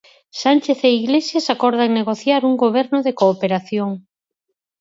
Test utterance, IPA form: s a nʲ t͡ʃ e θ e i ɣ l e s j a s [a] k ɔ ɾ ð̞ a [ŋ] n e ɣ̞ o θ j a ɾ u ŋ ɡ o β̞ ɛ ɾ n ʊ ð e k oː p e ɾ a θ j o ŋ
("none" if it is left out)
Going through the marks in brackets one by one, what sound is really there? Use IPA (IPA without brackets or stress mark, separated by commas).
a, ŋ